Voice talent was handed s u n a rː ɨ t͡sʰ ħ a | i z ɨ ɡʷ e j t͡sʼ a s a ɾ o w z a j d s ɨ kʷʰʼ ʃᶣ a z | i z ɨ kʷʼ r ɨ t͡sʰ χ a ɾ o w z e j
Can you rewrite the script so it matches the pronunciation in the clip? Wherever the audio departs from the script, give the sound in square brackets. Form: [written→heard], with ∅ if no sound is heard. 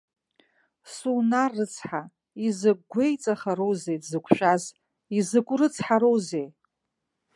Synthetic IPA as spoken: s u n a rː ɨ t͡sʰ ħ a | i z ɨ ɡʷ e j t͡sʼ a [s→χ] a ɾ o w z [a→e] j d [s→z] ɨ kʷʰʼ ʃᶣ a z | i z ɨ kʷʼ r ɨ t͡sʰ [χ→ħ] a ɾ o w z e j

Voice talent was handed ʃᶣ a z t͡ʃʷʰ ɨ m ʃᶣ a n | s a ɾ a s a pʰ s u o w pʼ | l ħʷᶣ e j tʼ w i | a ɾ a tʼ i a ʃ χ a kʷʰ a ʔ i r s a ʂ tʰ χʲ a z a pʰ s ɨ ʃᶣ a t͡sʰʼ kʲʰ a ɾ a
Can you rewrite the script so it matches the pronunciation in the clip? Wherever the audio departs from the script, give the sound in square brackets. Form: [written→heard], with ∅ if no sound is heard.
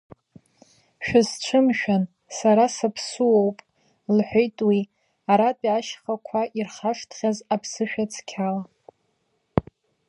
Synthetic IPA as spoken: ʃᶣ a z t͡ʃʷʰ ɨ m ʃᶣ a n | s a ɾ a s a pʰ s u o w pʼ | l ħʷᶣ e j tʼ w i | a ɾ a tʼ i a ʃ χ a kʷʰ a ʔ i r [s→χ] a ʂ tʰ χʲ a z a pʰ s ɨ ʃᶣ a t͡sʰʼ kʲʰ a [ɾ→l] a

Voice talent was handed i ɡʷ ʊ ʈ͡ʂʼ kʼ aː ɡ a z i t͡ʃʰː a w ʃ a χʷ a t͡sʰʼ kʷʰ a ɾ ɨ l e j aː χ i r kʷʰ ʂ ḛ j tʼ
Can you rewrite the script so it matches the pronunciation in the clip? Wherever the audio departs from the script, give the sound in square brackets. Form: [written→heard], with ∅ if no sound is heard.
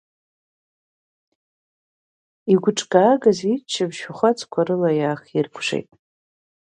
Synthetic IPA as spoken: i ɡʷ ʊ ʈ͡ʂʼ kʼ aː ɡ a z i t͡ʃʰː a [w→b] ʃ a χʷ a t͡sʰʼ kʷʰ a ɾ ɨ l [e→a] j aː χ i r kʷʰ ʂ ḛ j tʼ

